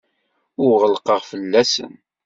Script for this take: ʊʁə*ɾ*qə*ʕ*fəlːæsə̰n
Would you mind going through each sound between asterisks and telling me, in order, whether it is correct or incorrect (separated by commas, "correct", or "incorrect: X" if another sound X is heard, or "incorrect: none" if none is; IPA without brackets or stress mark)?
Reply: incorrect: l, incorrect: ʁ